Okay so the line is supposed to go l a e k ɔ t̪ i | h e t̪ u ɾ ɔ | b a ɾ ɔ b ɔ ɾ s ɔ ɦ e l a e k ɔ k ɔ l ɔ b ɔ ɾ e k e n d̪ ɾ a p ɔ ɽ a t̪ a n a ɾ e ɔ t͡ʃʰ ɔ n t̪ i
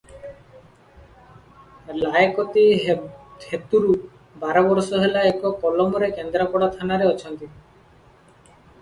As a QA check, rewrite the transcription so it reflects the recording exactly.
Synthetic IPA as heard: l a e k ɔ t̪ i | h e t̪ u ɾ u | b a ɾ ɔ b ɔ ɾ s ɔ ɦ e l a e k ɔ k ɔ l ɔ m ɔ ɾ e k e n d̪ ɾ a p ɔ ɽ a t̪ʰ a n a ɾ e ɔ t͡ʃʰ ɔ n t̪ i